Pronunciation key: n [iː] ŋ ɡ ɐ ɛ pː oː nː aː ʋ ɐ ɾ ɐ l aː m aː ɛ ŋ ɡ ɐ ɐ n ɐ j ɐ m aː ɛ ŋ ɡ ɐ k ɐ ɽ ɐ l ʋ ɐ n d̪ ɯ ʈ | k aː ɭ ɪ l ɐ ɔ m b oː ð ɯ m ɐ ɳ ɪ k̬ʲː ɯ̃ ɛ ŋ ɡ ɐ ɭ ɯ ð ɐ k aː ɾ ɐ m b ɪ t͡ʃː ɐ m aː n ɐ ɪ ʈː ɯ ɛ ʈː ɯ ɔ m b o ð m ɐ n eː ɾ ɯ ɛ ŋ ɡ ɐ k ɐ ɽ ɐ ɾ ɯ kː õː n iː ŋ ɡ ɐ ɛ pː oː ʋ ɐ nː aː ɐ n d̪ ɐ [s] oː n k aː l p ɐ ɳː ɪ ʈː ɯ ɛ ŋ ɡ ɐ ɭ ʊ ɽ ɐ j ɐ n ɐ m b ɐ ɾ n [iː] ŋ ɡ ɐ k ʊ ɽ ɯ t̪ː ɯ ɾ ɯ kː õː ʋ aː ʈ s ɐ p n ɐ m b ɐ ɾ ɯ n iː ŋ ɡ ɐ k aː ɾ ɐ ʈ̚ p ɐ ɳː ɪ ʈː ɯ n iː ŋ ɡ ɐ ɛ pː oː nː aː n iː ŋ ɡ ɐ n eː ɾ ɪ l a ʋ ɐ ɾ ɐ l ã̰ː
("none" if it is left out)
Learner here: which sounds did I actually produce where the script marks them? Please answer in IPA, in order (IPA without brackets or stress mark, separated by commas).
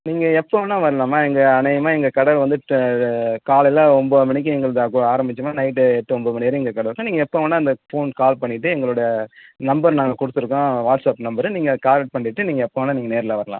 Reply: iː, f, aː